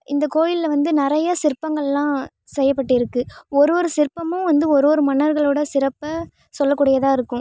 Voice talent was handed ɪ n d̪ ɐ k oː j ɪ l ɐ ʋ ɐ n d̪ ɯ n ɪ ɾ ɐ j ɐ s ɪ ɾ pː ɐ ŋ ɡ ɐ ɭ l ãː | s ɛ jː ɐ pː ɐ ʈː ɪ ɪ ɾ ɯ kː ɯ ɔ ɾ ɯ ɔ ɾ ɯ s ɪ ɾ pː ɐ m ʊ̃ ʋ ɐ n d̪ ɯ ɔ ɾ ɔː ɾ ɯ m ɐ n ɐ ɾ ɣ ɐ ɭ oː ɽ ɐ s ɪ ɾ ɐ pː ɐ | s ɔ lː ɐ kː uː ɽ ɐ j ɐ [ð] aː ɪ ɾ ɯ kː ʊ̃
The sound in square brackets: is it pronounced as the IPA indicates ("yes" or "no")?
yes